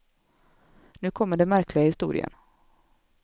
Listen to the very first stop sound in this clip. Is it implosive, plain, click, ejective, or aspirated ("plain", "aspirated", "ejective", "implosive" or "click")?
aspirated